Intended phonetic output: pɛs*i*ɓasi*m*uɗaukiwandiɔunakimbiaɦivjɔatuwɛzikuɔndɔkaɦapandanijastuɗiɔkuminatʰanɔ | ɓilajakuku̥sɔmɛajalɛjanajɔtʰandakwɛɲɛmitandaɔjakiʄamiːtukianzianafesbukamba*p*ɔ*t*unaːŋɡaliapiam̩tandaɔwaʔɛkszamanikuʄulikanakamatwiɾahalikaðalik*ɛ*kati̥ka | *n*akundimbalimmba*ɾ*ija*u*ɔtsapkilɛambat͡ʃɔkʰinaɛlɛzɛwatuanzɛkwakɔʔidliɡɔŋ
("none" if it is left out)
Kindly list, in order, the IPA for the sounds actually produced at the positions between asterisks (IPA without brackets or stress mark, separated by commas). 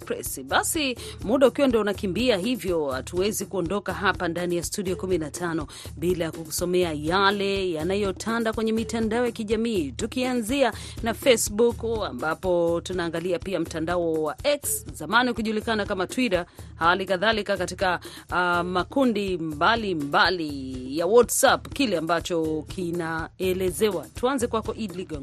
i, m, p, t, a, m, l, w